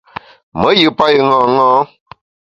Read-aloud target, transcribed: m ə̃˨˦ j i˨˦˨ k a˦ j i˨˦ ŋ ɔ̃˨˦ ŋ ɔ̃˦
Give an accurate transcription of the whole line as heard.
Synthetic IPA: m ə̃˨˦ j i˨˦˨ p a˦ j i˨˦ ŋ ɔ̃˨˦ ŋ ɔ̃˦